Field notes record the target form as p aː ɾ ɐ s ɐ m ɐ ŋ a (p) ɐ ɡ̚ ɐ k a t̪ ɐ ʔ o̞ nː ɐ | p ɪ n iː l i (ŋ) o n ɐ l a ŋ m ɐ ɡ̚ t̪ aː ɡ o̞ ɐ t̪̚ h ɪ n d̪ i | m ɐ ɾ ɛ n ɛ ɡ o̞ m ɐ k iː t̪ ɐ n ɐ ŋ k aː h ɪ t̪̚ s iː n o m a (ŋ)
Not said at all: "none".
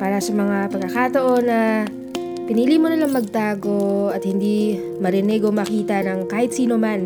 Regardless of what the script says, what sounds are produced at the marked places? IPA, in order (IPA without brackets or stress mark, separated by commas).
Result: p, m, n